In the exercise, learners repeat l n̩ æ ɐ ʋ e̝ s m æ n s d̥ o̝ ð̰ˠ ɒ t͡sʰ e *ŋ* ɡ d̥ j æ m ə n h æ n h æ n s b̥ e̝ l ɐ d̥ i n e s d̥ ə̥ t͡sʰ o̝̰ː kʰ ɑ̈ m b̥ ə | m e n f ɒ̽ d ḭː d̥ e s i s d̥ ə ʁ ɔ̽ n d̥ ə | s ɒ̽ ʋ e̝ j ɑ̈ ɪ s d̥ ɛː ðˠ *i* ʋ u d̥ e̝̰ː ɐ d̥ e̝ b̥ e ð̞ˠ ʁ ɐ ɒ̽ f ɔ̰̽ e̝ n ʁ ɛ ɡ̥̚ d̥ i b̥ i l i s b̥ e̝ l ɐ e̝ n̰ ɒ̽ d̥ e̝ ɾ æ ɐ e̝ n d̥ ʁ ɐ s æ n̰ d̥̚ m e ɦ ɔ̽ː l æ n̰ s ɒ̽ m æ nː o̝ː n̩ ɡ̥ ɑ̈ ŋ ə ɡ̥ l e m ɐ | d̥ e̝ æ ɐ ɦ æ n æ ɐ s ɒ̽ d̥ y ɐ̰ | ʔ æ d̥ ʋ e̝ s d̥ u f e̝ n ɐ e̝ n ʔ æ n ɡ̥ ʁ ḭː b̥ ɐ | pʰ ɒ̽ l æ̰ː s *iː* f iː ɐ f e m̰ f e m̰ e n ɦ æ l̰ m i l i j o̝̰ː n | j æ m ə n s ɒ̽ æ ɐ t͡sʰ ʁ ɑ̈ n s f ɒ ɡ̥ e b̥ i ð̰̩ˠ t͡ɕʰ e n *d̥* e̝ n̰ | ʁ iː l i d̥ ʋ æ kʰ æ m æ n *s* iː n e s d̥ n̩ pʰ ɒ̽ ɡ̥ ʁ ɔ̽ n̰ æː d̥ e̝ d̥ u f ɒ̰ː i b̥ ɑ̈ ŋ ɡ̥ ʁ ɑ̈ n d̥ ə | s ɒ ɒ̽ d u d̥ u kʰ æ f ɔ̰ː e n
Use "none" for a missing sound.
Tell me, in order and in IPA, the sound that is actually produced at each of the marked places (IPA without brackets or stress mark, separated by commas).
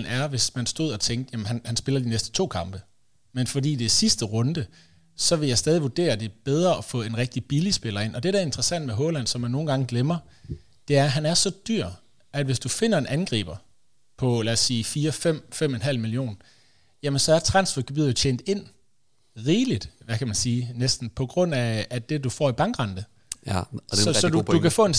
ŋ, i, iː, d̥, s